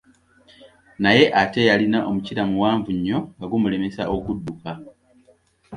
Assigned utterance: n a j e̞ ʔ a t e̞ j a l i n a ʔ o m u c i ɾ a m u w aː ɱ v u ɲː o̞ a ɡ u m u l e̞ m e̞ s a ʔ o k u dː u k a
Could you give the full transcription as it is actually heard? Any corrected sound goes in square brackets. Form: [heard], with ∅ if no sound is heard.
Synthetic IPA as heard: n a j e̞ ʔ a t e̞ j a l i n a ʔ o m u c i ɾ a m u w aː ɱ v u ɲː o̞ a ɡ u m u l e̞ m e̞ s a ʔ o k u dː u k a

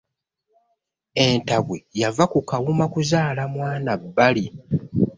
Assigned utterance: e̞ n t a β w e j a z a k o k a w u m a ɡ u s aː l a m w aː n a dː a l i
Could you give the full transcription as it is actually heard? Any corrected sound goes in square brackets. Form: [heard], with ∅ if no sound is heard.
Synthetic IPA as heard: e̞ n t a β w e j a [v] a k [u] k a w u m a [k] u [z] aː l a m w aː n a [bː] a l i

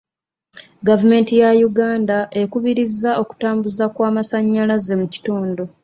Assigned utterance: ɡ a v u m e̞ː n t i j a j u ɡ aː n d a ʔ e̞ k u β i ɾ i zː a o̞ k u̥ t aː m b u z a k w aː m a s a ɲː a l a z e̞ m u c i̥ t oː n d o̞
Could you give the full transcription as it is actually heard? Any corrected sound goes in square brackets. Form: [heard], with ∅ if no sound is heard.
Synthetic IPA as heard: ɡ a v u m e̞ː n t i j a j u ɡ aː n d a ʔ e̞ k u β i ɾ i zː a o̞ k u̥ t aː m b u z a k w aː m a s a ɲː a l a z e̞ m u c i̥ t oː n d o̞

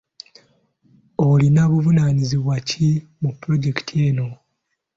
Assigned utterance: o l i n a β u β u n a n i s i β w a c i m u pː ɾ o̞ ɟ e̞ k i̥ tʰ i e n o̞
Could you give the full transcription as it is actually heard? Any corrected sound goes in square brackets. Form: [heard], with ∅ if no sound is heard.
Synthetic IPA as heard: o l i n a β u [v] u n a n i [z] i β w a c i m u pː ɾ o̞ ɟ e̞ k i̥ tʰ i e n o̞

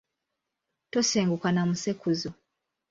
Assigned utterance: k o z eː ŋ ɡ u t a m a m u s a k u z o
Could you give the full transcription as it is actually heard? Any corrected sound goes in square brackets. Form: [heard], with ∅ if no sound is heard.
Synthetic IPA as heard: [t] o [s] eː ŋ ɡ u [k] a [n] a m u s [e] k u z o

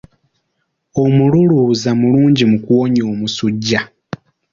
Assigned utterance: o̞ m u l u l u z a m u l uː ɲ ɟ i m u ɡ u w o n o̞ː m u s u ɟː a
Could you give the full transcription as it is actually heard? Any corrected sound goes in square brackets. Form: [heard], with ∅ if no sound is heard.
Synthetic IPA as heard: o̞ m u l u l u z a m u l uː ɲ ɟ i m u [k] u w o [ɲ] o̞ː m u s u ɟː a

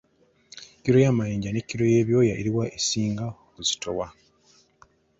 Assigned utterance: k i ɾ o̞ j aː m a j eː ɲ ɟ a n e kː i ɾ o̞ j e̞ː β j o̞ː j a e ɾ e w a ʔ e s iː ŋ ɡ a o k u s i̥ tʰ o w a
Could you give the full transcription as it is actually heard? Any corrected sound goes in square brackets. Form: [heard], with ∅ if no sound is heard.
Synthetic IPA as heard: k i ɾ o̞ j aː m a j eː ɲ ɟ a n e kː i ɾ o̞ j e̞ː β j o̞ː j a e ɾ [i] w a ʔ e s iː ŋ ɡ a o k u [z] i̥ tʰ o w a

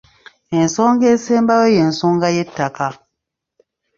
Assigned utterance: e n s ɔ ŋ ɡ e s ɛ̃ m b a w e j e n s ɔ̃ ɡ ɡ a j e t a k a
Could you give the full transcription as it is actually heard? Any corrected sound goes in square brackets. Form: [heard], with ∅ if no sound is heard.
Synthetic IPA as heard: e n s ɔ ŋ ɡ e s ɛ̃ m b a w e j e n s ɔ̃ [ŋ] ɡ a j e t a k a

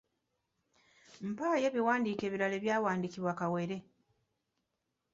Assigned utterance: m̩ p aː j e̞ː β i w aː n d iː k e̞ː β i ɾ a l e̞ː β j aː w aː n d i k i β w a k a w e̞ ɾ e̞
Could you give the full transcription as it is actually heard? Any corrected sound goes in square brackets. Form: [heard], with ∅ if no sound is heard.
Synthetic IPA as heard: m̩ p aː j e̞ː β i w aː n d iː k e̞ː β i ɾ a l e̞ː β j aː w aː n d i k i β w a k a w e̞ ɾ e̞

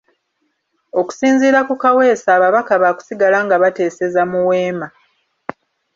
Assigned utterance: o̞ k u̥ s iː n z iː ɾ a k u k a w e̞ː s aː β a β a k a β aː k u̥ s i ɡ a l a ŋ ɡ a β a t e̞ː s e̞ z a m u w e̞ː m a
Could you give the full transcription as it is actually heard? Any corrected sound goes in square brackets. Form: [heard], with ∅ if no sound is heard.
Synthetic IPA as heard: o̞ k u̥ s iː n z iː ɾ a k u k a w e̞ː s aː β a β a k a β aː k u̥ s i ɡ a l a ŋ ɡ a β a t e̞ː s e̞ z a m u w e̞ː m a

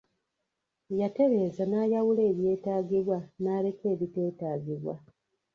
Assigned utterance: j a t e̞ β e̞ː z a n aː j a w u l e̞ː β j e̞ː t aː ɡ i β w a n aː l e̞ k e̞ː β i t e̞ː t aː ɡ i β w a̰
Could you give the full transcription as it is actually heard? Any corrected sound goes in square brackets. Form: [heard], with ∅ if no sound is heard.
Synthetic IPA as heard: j a t e̞ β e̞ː z a n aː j a w u l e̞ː β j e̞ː t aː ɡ i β w a n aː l e̞ k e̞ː β i t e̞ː t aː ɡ i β w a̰

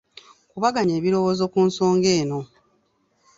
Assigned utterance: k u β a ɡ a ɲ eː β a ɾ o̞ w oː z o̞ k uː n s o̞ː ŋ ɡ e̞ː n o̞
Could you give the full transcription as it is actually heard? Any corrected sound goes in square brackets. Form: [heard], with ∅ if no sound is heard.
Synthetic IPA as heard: k u β a ɡ a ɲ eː β [i] ɾ o̞ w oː z o̞ k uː n s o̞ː ŋ ɡ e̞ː n o̞

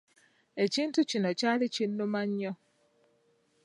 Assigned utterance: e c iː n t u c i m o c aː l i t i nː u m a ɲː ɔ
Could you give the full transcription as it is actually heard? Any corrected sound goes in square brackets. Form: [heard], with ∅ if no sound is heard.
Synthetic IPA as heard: e c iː n t u c i [n] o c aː l i [c] i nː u m a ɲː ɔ

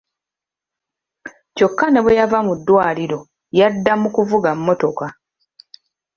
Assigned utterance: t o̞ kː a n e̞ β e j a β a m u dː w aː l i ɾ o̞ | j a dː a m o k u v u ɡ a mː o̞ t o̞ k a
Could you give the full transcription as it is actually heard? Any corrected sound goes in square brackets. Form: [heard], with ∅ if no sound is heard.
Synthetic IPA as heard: [c] o̞ kː a n e̞ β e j a [v] a m u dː w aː l i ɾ o̞ | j a dː a m [u] k u v u ɡ a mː o̞ t o̞ k a

